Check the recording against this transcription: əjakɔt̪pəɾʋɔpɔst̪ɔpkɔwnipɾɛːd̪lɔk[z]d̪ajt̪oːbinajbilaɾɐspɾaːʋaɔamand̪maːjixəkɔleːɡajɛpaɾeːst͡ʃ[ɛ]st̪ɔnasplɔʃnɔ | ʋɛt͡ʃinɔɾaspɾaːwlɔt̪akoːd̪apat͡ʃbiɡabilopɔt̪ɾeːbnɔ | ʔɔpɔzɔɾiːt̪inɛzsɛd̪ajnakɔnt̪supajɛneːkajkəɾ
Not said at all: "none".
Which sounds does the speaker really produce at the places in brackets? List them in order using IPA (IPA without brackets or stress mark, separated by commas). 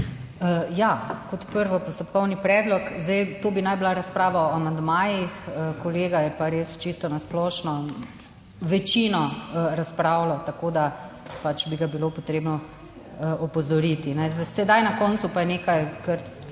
z, i